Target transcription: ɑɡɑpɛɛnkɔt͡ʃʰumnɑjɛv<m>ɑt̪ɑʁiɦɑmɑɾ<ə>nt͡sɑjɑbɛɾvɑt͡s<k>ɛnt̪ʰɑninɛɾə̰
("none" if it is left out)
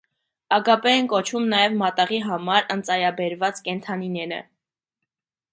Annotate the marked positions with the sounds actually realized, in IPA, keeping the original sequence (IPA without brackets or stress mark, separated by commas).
m, ə, k